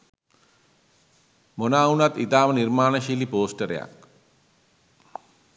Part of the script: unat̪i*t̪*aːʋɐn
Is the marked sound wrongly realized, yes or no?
no